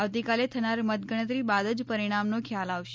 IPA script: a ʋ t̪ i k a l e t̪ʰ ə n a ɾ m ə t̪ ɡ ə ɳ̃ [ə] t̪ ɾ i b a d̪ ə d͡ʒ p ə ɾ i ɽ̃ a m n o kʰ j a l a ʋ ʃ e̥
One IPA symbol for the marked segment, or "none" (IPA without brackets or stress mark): ə